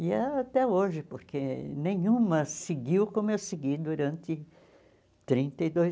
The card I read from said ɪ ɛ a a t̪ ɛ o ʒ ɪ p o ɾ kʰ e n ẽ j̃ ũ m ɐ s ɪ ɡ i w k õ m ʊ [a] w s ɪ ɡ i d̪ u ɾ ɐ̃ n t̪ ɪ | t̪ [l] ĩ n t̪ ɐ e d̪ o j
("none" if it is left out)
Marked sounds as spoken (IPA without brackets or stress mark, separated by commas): e, ɾ